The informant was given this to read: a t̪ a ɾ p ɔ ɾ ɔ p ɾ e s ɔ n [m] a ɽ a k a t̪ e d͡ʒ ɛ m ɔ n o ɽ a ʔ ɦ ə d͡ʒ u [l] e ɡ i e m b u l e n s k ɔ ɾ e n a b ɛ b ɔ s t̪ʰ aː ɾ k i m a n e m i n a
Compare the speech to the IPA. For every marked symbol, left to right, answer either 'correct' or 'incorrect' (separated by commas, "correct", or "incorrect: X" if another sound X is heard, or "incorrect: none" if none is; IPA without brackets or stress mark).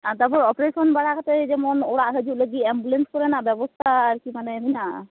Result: incorrect: b, correct